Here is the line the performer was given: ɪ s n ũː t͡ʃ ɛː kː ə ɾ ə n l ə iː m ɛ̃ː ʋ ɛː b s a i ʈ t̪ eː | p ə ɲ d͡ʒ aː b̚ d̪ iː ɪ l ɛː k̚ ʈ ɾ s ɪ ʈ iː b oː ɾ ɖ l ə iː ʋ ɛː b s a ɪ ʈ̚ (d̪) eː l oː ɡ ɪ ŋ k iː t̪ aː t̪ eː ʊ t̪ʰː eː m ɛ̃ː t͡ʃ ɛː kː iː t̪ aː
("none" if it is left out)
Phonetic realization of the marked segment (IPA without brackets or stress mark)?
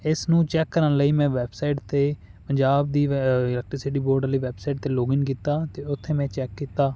t̪